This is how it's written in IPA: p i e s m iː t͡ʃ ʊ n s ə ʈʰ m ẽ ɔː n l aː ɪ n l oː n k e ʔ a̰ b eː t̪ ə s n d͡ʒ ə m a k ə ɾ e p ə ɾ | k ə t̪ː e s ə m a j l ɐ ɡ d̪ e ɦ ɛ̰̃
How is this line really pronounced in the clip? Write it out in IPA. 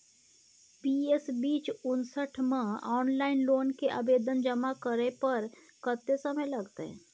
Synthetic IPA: p i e s b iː t͡ʃ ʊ n s ə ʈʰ m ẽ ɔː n l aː ɪ n l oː n k e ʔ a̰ b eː d̪ ə n d͡ʒ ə m a k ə ɾ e p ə ɾ | k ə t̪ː e s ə m ə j l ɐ ɡ t̪ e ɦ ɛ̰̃